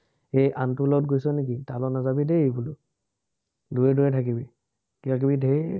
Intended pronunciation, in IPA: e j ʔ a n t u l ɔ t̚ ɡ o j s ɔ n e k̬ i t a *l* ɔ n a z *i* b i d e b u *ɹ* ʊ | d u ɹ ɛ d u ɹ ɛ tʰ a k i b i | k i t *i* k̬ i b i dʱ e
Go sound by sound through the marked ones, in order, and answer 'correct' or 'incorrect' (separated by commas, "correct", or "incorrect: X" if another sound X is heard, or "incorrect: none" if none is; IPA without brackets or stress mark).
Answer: correct, incorrect: a, incorrect: l, incorrect: a